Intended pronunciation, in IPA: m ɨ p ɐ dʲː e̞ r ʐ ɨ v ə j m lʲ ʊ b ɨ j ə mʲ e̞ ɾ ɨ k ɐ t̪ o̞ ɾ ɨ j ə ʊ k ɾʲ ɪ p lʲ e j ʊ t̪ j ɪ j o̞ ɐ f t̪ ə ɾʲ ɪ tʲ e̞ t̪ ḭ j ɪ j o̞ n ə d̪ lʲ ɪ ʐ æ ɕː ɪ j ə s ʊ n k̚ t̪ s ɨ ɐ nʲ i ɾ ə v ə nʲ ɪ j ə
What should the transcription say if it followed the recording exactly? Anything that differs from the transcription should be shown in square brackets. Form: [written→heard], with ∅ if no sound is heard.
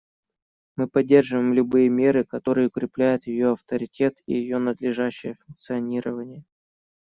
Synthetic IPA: m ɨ p ɐ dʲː e̞ r ʐ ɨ v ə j m lʲ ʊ b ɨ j ə mʲ e̞ ɾ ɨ k ɐ t̪ o̞ ɾ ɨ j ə ʊ k ɾʲ ɪ p lʲ [e→æ] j ʊ t̪ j ɪ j o̞ ɐ f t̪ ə ɾʲ ɪ tʲ e̞ t̪ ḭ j ɪ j o̞ n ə d̪ lʲ ɪ ʐ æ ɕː ɪ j ə [s→f] ʊ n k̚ t̪ s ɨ ɐ nʲ i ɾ ə v ə nʲ ɪ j ə